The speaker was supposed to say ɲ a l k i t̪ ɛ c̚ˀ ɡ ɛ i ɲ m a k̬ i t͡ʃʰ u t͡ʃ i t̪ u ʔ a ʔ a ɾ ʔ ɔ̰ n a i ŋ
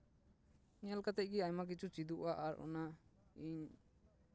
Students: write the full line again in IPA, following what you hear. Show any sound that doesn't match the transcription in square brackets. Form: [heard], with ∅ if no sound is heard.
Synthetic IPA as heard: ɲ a l k [a] t̪ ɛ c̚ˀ ɡ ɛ [a] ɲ m a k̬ i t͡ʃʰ u t͡ʃ i [d̪] u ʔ a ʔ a ɾ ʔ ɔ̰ n a i [ɲ]